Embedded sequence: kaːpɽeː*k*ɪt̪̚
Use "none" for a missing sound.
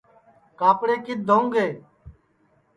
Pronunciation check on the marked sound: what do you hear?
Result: k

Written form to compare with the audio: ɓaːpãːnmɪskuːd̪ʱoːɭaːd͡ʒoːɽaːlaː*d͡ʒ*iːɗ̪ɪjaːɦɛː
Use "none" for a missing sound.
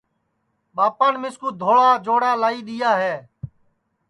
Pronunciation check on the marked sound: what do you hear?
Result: none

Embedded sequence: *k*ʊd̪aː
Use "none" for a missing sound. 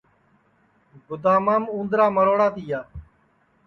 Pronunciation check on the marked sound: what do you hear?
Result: ɡ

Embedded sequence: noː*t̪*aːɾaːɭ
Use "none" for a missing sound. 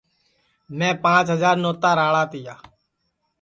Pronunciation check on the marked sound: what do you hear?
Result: t̪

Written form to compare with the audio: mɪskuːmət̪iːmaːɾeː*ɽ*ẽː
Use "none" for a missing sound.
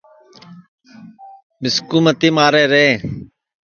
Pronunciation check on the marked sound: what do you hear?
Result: ɾ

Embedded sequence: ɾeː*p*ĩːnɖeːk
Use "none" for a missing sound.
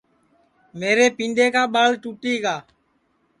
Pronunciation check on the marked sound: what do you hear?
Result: p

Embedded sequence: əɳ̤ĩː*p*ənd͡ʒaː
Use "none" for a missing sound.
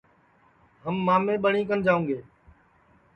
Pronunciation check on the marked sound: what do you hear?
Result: k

